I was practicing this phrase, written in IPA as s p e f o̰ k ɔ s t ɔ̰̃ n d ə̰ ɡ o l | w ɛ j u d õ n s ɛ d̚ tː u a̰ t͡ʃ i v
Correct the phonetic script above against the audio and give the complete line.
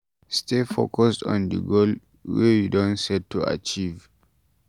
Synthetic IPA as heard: s t e f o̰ k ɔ s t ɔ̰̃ n d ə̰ ɡ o l | w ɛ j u d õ n s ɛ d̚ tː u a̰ t͡ʃ i v